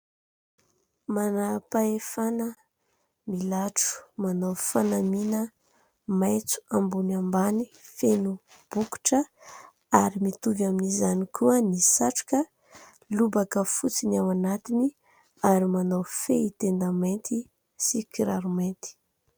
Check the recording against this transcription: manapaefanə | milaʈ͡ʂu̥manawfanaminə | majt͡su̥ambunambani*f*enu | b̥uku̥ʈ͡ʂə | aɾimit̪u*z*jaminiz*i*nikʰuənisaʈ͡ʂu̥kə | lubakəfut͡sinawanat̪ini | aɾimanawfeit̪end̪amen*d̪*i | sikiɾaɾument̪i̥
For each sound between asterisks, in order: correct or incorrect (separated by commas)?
correct, incorrect, incorrect, incorrect